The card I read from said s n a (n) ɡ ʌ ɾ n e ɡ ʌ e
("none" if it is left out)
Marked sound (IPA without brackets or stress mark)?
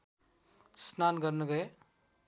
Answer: n